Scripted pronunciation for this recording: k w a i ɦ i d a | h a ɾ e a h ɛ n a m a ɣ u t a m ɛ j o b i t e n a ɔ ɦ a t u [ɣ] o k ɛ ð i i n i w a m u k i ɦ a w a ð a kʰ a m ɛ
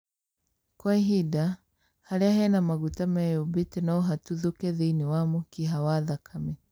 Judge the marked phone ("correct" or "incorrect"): incorrect